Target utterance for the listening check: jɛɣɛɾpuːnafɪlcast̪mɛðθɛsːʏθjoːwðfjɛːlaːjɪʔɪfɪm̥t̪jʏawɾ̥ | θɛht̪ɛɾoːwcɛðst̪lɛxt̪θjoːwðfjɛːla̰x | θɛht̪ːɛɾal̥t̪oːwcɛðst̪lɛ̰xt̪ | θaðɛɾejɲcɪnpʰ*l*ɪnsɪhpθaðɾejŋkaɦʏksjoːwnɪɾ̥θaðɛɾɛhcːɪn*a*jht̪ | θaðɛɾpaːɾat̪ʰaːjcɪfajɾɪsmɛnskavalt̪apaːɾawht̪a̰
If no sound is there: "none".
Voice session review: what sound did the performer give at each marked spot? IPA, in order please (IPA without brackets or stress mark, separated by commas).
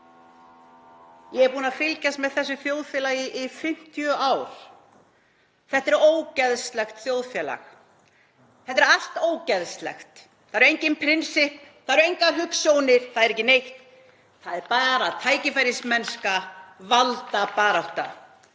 ɾ, e